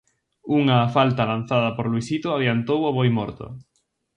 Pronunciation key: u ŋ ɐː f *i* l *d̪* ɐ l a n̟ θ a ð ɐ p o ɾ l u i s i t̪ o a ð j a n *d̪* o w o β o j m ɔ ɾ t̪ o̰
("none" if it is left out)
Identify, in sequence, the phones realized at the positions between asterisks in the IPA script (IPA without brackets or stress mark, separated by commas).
a, t̪, t̪